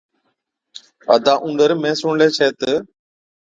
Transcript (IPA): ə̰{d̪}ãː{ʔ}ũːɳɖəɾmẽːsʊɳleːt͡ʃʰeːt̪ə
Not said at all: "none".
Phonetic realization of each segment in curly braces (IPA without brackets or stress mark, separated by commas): d̪, ʔ